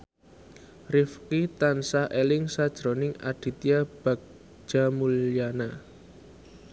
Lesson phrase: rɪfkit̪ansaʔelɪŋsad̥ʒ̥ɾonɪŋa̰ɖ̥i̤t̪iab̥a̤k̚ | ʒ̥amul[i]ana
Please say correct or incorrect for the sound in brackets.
incorrect